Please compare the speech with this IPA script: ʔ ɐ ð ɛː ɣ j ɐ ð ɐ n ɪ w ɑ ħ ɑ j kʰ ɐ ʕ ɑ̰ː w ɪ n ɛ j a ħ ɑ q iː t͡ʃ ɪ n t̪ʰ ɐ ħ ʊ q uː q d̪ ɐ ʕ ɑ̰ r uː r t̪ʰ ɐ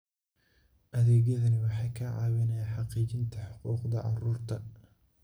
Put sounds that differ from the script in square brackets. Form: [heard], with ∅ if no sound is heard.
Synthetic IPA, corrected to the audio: ʔ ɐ ð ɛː ɣ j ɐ ð ɐ n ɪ w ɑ ħ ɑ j kʰ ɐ ʕ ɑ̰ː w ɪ n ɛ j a ħ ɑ q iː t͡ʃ ɪ n t̪ʰ ɐ ħ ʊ q uː q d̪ ɐ ʕ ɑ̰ r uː r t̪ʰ ɐ